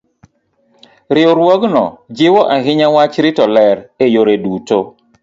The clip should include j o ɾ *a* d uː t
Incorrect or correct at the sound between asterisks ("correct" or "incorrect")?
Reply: incorrect